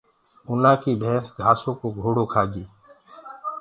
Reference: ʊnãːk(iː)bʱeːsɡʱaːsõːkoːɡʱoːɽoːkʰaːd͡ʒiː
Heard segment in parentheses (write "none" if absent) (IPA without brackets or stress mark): iː